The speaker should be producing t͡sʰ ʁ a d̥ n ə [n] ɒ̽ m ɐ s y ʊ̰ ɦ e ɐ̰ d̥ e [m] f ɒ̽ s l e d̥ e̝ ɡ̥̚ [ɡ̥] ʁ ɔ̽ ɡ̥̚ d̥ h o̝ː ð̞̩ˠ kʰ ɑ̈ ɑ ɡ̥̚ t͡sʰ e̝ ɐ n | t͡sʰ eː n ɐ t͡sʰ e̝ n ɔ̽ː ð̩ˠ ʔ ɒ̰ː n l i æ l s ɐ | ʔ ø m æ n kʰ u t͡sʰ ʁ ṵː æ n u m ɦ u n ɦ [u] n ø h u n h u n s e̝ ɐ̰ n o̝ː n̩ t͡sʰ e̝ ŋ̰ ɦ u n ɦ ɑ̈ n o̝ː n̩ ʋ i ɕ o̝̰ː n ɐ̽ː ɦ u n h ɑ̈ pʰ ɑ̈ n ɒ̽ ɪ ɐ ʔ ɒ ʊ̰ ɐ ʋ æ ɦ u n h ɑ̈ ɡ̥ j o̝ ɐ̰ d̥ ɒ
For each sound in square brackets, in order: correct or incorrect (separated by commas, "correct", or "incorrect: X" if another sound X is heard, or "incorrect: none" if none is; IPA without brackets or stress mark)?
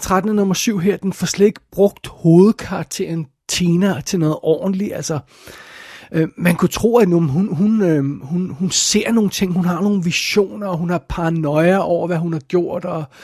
correct, incorrect: n, incorrect: b̥, correct